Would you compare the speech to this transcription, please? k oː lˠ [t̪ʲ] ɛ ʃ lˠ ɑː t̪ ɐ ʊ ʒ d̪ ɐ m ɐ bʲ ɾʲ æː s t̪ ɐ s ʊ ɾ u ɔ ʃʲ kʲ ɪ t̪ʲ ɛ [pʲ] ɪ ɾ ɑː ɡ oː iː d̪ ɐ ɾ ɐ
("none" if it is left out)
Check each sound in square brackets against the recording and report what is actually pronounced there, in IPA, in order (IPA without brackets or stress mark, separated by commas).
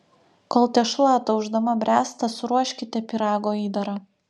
t̪ʲ, pʲ